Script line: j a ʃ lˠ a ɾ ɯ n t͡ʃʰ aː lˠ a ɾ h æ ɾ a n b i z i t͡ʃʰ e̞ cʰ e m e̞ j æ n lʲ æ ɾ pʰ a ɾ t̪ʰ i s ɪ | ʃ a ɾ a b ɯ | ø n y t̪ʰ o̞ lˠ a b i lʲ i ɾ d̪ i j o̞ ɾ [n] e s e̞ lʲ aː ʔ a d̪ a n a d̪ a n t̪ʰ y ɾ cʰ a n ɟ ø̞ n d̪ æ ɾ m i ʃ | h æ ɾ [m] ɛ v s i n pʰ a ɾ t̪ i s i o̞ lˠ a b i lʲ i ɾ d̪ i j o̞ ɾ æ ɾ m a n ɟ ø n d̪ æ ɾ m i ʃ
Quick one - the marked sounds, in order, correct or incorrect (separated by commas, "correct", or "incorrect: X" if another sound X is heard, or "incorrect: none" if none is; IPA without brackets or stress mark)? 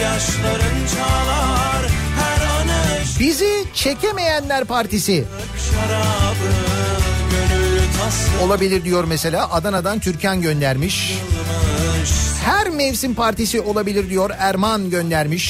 incorrect: m, correct